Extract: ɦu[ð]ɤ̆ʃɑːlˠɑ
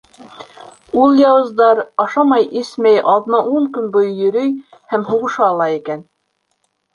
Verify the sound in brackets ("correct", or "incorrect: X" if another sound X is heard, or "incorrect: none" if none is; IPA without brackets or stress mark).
incorrect: ʁ